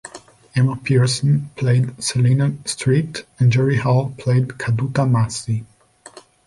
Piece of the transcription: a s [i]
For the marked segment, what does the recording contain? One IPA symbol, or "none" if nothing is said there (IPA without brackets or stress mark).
i